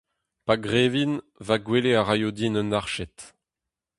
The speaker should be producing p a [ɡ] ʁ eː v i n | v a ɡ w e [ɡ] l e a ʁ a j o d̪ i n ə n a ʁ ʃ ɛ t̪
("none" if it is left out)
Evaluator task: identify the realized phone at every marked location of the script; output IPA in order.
ɡ, none

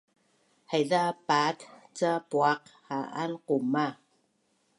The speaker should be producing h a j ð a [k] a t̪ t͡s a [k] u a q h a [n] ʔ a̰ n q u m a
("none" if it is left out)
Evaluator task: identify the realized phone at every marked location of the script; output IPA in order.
p, p, none

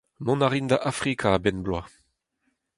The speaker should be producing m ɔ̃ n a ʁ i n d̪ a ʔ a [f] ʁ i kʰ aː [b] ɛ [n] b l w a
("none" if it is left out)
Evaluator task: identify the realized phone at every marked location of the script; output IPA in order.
f, b, n

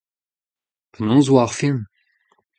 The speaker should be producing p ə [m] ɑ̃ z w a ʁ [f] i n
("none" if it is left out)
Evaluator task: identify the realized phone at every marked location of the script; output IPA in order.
n, f

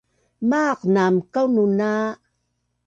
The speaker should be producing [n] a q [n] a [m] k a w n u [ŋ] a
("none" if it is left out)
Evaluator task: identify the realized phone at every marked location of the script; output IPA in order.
m, n, m, n

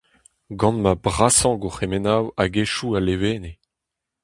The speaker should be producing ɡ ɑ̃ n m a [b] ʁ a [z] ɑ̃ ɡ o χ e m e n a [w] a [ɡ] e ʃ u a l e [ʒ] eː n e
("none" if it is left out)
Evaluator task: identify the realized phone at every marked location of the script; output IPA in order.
b, s, w, ɡ, v

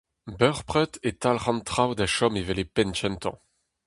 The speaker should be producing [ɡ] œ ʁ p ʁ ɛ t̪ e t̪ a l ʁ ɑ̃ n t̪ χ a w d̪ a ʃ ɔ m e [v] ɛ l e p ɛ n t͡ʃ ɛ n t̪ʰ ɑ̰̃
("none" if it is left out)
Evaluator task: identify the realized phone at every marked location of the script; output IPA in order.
b, v

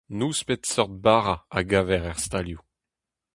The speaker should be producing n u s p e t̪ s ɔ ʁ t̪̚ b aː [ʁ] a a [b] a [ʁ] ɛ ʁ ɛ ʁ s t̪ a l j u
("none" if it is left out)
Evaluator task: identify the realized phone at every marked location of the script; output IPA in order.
ʁ, ɡ, v

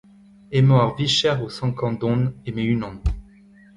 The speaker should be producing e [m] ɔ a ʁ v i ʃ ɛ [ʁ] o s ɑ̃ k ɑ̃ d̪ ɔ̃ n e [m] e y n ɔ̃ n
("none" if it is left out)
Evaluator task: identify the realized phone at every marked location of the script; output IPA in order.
m, ʁ, m

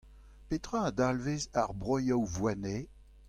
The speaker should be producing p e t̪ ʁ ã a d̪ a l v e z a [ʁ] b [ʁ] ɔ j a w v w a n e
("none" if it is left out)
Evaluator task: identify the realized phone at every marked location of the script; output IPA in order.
ʁ, ʁ

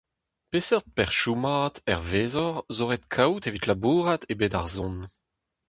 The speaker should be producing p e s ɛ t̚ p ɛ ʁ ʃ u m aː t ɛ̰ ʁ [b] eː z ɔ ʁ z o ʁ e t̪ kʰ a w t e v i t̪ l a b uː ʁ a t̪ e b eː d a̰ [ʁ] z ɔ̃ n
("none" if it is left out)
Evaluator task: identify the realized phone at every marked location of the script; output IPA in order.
v, ʁ

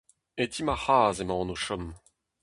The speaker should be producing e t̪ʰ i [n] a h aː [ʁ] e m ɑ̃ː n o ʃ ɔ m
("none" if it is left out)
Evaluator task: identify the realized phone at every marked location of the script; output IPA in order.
m, z

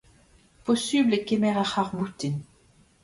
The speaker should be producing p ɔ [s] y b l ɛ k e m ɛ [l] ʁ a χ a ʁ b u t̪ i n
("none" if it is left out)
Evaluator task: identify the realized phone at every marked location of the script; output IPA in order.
s, none

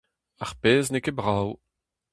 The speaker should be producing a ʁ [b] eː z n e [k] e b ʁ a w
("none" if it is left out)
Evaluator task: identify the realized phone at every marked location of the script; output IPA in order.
p, k

